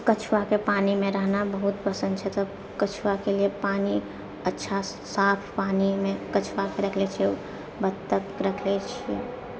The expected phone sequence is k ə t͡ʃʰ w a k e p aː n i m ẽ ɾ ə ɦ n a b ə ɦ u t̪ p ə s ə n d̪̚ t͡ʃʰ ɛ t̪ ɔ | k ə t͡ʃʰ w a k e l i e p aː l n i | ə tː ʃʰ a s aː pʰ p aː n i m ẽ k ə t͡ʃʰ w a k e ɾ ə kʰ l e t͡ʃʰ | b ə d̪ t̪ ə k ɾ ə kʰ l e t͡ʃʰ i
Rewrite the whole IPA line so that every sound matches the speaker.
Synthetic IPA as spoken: k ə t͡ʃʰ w a k e p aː n i m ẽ ɾ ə ɦ n a b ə ɦ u t̪ p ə s ə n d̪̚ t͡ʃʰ ɛ t̪ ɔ | k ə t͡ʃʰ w a k e l i e p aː n i | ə tː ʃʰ a s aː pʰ p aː n i m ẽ k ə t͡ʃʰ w a k e ɾ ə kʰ l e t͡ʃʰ | b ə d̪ t̪ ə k ɾ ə kʰ l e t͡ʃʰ i